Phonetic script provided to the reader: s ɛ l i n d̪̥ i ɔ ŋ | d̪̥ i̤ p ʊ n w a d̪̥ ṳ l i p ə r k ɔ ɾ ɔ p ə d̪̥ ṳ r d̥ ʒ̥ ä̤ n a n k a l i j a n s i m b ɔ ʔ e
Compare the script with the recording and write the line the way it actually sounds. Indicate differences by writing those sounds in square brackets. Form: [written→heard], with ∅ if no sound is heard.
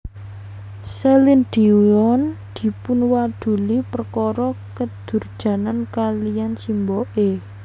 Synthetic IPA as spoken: s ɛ l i n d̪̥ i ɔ [ŋ→n] | d̪̥ i̤ p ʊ n w a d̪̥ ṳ l i p ə r k ɔ ɾ ɔ [p→k] ə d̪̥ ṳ r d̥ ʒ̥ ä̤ n a n k a l i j a n s i m b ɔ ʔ e